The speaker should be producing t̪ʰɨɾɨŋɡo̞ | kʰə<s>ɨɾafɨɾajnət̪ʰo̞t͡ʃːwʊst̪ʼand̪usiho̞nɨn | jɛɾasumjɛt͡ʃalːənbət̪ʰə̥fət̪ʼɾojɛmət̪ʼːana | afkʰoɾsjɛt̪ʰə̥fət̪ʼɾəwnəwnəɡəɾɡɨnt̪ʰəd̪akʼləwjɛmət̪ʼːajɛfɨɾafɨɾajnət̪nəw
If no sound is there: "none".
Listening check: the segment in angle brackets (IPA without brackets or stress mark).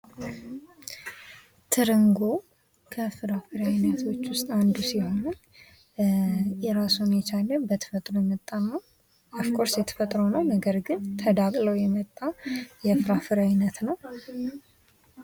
f